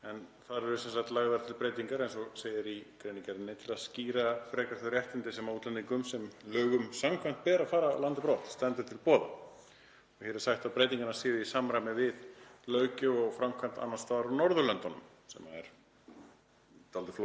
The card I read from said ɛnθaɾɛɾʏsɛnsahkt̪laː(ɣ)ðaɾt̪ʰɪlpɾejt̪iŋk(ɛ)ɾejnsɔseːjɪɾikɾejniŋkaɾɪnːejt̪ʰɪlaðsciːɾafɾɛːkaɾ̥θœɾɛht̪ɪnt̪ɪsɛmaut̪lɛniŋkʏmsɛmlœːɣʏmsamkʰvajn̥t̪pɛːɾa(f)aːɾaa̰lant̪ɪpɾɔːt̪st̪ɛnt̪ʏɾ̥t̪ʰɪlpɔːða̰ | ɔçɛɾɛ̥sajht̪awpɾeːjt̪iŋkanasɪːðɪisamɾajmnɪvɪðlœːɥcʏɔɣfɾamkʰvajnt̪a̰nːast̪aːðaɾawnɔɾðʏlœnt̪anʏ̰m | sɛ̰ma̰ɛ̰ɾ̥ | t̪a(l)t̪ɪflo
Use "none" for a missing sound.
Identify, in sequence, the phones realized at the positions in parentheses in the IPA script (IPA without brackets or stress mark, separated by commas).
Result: ɣ, a, f, l